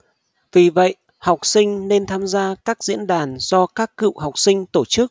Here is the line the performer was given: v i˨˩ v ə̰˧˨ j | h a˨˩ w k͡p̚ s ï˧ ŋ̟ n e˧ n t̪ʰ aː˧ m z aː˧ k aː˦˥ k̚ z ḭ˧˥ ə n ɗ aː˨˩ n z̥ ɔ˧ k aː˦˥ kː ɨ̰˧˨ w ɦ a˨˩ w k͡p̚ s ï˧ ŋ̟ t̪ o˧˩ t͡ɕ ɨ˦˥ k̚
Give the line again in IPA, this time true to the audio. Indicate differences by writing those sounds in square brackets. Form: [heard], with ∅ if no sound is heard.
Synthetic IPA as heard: v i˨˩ v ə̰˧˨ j | h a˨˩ w k͡p̚ s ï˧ ŋ̟ n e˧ n t̪ʰ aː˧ m z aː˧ k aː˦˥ k̚ z ḭ˧˥ ə n ɗ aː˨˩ n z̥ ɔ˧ k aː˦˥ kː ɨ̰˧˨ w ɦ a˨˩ w k͡p̚ s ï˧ ŋ̟ t̪ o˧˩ t͡ɕ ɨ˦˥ k̚